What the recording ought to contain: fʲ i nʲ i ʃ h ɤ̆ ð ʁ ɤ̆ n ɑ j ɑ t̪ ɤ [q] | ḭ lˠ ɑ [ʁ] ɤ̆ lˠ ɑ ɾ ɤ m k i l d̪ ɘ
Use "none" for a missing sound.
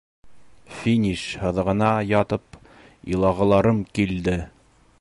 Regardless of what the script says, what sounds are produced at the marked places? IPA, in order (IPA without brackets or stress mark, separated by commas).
p, ʁ